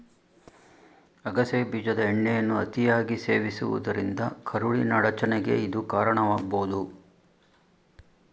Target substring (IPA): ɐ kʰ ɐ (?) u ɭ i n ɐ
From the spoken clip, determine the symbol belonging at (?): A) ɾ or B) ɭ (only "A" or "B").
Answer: A